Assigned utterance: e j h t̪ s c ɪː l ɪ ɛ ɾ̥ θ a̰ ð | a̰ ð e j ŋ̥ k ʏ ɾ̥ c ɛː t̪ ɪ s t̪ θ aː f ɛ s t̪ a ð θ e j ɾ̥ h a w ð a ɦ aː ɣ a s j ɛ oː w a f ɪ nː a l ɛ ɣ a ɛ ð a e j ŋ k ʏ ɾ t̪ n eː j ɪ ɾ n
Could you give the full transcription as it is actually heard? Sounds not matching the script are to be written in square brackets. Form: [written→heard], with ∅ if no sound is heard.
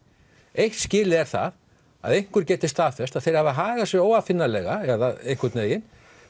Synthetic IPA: e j h t̪ s c ɪː l ɪ ɛ ɾ̥ θ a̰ ð | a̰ ð e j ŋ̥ k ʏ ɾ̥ c ɛː t̪ ɪ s t̪ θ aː f ɛ s t̪ a ð θ e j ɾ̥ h a [w→v] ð a ɦ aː ɣ a s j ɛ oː w a f ɪ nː a l ɛ ɣ a ɛ ð a e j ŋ k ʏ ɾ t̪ n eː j ɪ [ɾ→∅] n